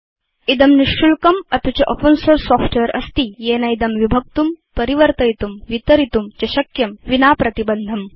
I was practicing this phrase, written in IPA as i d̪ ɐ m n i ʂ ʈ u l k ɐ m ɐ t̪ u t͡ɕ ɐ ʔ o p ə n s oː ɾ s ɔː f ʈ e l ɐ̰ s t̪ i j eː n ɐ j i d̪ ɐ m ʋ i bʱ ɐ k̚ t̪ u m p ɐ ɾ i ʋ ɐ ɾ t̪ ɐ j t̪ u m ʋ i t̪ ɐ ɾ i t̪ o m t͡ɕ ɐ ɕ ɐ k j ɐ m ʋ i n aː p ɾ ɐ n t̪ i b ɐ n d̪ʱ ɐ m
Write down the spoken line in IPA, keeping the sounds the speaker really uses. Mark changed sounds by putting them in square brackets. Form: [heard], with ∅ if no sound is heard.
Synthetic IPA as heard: i d̪ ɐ m n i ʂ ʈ u l k ɐ m ɐ t̪ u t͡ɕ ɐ ʔ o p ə n s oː ɾ s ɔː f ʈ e [ɾ] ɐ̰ s t̪ i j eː n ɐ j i d̪ ɐ m ʋ i bʱ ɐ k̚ t̪ u m p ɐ ɾ i ʋ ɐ ɾ t̪ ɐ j t̪ u m ʋ i t̪ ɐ ɾ i t̪ [u] m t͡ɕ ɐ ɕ ɐ k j ɐ m ʋ i n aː p ɾ ɐ [∅] t̪ i b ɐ n d̪ʱ ɐ m